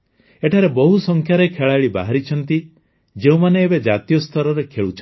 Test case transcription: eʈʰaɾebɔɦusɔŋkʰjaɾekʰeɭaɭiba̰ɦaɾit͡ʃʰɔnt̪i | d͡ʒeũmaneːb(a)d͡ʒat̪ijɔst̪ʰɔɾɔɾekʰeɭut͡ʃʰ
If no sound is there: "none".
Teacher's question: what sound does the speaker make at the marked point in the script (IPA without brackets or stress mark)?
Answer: e